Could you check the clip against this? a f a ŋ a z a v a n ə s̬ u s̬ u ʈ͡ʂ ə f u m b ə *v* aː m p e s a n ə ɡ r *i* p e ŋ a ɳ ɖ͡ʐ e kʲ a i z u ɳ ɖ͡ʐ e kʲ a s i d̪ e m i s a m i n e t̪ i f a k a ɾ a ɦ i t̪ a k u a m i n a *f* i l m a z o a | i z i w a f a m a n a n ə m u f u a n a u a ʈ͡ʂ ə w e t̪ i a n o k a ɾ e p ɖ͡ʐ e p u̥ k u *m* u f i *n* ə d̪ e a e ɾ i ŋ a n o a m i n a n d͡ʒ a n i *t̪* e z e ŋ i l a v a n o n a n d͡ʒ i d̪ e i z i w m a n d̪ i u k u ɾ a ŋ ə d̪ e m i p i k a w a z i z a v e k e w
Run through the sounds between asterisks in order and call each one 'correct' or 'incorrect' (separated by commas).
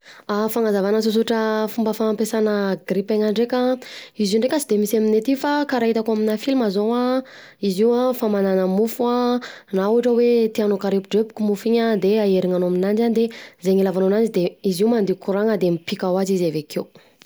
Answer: incorrect, correct, correct, correct, incorrect, incorrect